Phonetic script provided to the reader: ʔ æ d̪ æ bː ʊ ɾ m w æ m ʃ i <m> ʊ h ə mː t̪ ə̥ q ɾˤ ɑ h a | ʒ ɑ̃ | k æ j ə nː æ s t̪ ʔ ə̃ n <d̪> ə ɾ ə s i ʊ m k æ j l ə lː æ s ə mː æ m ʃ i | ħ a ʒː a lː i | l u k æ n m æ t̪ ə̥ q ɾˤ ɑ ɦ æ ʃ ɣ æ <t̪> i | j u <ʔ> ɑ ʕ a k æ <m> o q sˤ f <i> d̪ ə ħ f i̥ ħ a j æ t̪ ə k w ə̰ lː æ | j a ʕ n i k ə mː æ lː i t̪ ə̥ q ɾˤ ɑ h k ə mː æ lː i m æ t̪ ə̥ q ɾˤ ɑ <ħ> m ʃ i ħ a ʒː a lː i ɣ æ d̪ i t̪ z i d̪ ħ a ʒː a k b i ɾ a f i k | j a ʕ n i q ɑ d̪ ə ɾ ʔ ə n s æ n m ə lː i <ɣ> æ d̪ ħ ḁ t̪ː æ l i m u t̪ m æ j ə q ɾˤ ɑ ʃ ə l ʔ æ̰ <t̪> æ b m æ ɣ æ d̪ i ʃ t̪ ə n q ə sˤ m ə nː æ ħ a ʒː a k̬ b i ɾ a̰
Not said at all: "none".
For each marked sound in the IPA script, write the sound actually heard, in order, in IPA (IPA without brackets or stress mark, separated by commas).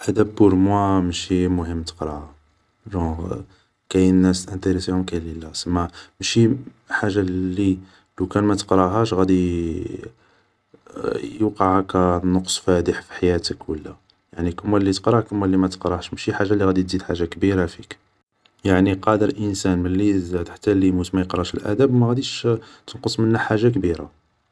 m, t̪, d̪, q, n, æ, ʃ, z, d̪